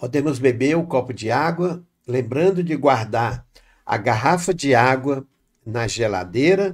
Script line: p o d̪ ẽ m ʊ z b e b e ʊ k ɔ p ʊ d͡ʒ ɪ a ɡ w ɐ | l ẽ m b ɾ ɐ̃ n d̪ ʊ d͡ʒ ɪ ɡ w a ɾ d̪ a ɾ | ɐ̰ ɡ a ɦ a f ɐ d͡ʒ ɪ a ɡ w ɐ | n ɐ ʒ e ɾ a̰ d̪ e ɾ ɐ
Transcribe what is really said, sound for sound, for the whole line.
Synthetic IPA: p o d̪ ẽ m ʊ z b e b e ʊ k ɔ p ʊ d͡ʒ ɪ a ɡ w ɐ | l ẽ m b ɾ ɐ̃ n d̪ ʊ d͡ʒ ɪ ɡ w a ɾ d̪ a ɾ | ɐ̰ ɡ a ɦ a f ɐ d͡ʒ ɪ a ɡ w ɐ | n ɐ ʒ e l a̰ d̪ e ɾ ɐ